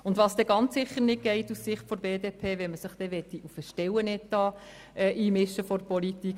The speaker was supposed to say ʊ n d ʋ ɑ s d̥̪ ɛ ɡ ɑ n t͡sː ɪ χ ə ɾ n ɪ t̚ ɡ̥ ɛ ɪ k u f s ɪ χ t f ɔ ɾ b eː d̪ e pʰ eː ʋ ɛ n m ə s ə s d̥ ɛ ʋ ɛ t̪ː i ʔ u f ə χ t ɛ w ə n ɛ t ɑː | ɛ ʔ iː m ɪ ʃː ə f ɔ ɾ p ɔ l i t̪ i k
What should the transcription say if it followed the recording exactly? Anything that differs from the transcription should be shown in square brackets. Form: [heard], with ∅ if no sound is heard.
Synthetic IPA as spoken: ʊ n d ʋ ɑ s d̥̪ ɛ ɡ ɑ n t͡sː ɪ χ ə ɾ n ɪ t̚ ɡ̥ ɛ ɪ [t] u [s] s ɪ χ t f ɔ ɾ b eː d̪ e pʰ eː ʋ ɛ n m ə s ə [χ] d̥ ɛ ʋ ɛ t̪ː i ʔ u f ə [ʃ] t ɛ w ə n ɛ t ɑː | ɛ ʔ iː m ɪ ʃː ə f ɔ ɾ p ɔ l i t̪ i k

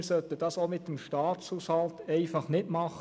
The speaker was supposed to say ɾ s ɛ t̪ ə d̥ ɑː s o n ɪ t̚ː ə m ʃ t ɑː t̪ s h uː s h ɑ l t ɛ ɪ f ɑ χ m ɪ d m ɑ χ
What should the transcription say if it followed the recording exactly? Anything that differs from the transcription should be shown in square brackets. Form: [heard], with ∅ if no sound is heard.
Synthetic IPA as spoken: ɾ s [œ] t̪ ə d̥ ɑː s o [m] ɪ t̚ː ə m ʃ t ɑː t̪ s h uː s h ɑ l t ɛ ɪ f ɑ χ [n] ɪ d m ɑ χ

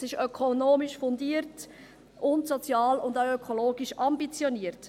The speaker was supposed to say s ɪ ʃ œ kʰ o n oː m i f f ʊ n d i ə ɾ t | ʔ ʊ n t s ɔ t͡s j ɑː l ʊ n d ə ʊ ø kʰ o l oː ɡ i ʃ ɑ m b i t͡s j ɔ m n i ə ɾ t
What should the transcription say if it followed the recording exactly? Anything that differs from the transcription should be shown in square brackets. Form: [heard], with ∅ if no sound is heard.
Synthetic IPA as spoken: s ɪ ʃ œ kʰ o n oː m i [ʃ] f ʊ n d i ə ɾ t | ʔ ʊ n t s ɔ t͡s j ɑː l ʊ n d [a] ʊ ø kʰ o l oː ɡ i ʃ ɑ m b i t͡s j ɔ [∅] n i ə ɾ t

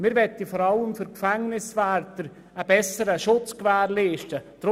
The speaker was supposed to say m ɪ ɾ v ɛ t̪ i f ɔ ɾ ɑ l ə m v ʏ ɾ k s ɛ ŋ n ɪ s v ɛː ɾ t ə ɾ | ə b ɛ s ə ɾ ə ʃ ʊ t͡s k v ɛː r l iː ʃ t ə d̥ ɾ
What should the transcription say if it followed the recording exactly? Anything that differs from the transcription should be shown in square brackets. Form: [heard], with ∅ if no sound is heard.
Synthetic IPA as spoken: m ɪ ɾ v ɛ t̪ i f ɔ ɾ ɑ l ə m [f] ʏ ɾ k [f] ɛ ŋ n ɪ s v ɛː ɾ t ə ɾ | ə b ɛ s ə ɾ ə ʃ ʊ t͡s k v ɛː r l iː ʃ t ə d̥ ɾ

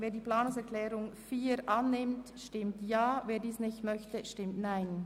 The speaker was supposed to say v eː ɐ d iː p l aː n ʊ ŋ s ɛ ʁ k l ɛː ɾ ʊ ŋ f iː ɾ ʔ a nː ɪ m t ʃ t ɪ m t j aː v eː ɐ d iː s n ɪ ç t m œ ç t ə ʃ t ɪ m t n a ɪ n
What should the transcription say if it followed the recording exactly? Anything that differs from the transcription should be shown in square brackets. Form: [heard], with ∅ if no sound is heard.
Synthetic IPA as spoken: v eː ɐ d iː p l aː n ʊ ŋ s ɛ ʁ k l ɛː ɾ ʊ ŋ f iː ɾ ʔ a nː ɪ m t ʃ t ɪ m t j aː v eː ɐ d iː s n ɪ ç t m œ ç t ə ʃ t ɪ m t n a ɪ n

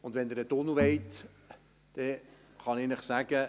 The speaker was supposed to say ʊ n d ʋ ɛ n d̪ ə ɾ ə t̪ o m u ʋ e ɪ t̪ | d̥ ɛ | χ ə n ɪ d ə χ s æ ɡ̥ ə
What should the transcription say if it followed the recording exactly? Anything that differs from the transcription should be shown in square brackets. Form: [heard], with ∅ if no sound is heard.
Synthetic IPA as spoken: ʊ n d ʋ ɛ n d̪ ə ɾ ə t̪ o [n] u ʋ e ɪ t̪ | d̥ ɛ | χ [ɑ] n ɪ [n] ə χ s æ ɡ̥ ə

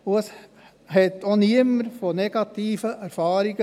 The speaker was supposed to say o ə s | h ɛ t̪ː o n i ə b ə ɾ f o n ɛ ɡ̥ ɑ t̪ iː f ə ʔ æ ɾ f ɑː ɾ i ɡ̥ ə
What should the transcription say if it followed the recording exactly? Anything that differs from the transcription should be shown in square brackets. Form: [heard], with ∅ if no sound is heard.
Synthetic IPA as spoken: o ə s | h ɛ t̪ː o n i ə [m] ə ɾ f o n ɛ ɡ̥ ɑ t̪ iː f ə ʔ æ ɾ f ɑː ɾ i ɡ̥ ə

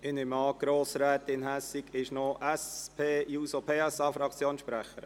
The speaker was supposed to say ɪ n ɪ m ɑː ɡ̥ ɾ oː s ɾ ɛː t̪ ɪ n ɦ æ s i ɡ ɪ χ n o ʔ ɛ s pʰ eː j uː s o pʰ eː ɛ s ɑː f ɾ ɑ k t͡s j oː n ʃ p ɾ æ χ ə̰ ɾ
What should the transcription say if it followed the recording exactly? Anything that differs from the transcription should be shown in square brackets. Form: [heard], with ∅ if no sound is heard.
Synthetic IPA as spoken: ɪ n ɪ m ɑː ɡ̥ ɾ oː s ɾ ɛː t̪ ɪ n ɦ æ s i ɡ ɪ [ʃ] n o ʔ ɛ s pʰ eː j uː s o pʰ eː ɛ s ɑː f ɾ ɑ k t͡s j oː n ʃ p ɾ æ χ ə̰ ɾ

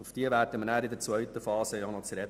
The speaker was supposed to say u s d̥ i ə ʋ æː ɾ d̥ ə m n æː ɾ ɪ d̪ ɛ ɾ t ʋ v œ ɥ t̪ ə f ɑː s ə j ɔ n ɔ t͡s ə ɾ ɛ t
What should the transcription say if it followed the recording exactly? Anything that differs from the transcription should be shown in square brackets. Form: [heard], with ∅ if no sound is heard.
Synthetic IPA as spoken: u [f] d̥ i ə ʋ æː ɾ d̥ ə m n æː ɾ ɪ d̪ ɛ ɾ [t͡s] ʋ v œ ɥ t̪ ə f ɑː s ə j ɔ n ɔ t͡s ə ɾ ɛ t

